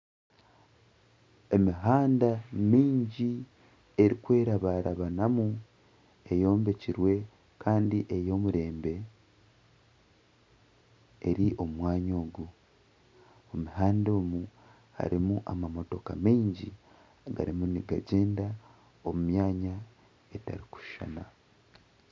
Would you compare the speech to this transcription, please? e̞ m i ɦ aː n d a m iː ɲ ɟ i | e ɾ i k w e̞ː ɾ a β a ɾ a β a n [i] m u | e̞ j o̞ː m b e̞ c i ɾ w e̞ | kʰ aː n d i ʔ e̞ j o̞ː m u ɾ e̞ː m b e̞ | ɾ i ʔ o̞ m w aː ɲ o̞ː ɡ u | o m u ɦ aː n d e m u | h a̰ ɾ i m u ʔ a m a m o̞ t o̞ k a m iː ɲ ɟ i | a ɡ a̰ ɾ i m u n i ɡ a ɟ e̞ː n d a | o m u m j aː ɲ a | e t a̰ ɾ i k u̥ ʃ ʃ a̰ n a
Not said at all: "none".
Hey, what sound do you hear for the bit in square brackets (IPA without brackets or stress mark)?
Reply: a